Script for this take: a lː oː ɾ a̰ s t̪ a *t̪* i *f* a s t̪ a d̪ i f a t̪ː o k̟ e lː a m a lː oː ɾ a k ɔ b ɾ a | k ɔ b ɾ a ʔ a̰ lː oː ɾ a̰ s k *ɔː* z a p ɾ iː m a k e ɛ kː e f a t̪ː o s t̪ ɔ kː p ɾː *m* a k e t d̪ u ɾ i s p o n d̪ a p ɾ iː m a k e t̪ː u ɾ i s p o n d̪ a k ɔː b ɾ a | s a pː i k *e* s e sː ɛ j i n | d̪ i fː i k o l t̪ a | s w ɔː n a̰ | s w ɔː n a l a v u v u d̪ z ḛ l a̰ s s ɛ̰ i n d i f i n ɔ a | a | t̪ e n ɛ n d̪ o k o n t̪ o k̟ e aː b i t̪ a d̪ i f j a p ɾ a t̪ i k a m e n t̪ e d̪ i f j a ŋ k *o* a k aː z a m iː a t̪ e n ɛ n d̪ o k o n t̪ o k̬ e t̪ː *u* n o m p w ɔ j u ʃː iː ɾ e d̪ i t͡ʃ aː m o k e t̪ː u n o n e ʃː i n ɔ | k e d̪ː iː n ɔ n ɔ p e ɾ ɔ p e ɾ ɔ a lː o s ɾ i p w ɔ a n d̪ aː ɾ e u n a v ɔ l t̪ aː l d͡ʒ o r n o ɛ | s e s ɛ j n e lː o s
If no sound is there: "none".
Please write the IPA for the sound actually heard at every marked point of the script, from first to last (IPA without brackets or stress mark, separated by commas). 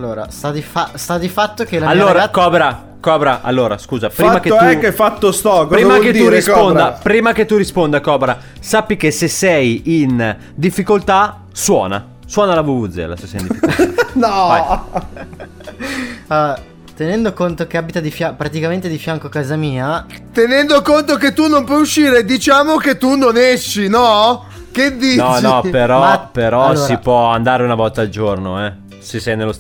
d̪, f, uː, m, e, o, u